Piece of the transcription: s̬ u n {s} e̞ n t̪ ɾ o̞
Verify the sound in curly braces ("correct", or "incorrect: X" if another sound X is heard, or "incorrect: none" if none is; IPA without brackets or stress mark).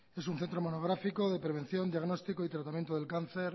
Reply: incorrect: θ